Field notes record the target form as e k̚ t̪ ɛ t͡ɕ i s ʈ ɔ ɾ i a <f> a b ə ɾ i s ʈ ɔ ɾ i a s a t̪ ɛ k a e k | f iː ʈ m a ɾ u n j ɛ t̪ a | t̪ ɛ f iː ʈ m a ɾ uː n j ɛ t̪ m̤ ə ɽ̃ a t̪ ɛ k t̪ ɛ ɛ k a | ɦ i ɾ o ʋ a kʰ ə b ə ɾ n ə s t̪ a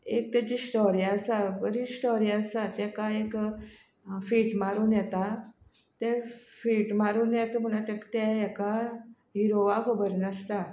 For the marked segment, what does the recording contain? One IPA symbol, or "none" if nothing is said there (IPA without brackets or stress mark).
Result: s